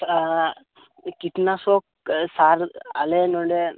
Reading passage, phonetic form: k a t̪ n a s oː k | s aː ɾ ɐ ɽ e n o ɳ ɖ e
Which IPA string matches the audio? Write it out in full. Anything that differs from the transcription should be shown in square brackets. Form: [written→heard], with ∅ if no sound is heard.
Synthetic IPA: k [a→i] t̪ n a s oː k | s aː ɾ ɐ [ɽ→l] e n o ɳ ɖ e